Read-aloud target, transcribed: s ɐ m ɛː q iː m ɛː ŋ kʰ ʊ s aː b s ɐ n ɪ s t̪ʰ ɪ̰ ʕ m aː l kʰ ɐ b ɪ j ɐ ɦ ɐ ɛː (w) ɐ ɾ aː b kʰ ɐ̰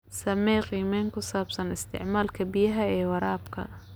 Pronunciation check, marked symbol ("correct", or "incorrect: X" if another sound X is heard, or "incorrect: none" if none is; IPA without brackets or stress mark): correct